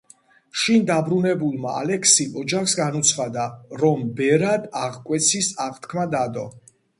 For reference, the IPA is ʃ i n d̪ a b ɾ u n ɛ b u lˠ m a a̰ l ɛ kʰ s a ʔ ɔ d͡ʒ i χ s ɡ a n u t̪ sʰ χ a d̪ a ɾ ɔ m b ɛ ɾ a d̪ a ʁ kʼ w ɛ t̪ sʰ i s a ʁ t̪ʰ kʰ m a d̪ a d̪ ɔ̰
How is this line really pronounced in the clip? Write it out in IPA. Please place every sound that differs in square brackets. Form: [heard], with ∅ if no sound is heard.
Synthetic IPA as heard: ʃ i n d̪ a b ɾ u n ɛ b u lˠ m a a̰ l ɛ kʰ s [i] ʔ ɔ d͡ʒ [a] χ s ɡ a n u t̪ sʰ χ a d̪ a ɾ ɔ m b ɛ ɾ a d̪ a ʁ kʼ w ɛ t̪ sʰ i s a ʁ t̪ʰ kʰ m a d̪ a d̪ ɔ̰